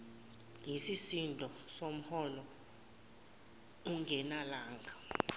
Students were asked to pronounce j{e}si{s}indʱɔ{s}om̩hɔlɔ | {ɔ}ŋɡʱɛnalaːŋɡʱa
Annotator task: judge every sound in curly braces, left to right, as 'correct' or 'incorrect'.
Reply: incorrect, correct, correct, incorrect

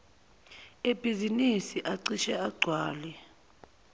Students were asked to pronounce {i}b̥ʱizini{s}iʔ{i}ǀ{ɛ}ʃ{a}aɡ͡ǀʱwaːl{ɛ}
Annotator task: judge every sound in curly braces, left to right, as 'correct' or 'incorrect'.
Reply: incorrect, correct, incorrect, incorrect, incorrect, correct

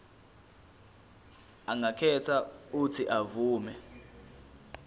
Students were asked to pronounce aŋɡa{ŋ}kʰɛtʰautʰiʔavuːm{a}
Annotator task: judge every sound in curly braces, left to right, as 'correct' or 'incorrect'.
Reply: incorrect, incorrect

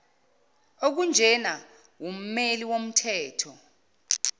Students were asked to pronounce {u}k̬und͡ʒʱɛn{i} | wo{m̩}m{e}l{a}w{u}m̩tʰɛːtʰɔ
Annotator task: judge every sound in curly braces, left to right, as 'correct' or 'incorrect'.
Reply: incorrect, incorrect, correct, correct, incorrect, incorrect

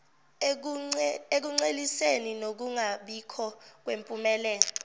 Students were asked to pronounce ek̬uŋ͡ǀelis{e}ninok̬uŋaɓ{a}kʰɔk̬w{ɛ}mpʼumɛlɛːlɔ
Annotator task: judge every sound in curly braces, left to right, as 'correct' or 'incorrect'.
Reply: correct, incorrect, incorrect

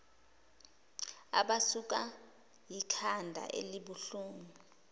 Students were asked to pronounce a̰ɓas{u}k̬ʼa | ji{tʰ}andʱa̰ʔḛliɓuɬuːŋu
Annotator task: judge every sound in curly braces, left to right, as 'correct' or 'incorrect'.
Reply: correct, incorrect

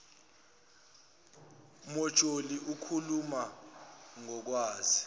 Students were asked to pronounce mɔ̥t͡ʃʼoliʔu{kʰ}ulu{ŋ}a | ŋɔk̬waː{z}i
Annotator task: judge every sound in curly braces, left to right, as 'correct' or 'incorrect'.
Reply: correct, incorrect, correct

